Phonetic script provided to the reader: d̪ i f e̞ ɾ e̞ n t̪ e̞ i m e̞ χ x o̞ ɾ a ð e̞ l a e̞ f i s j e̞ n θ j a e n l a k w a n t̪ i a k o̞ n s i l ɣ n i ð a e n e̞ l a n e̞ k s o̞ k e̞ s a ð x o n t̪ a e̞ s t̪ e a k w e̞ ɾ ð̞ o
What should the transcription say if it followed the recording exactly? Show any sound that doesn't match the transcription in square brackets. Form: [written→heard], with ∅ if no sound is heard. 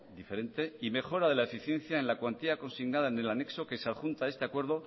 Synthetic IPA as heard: d̪ i f e̞ ɾ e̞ n t̪ e̞ i m e̞ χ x o̞ ɾ a ð e̞ l a e̞ f i [s→θ] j e̞ n θ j a e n l a k w a n t̪ i a k o̞ n s i [l→∅] ɣ n [i→a] ð a e n e̞ l a n e̞ k s o̞ k e̞ s a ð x [o→u] n t̪ a e̞ s t̪ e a k w e̞ ɾ ð̞ o